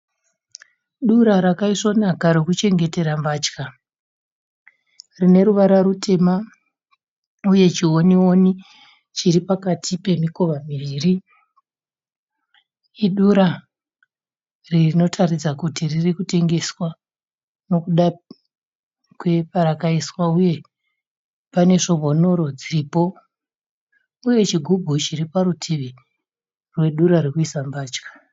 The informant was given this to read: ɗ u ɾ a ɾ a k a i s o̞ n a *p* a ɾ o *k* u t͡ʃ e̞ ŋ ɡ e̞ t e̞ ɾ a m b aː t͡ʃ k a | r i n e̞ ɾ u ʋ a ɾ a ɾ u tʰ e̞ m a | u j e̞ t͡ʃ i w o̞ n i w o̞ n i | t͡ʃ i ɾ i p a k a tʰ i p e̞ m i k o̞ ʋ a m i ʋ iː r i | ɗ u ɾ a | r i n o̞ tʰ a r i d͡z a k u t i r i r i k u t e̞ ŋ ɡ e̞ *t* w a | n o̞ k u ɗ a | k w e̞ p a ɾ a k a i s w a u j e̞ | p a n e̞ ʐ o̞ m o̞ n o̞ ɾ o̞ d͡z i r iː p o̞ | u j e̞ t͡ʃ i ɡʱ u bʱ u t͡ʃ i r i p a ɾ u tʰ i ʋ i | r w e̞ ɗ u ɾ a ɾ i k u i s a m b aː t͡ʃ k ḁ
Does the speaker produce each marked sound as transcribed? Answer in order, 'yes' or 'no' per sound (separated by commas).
no, yes, no